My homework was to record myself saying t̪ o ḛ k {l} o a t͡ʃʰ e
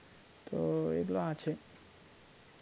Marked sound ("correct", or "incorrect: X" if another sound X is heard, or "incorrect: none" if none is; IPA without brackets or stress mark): correct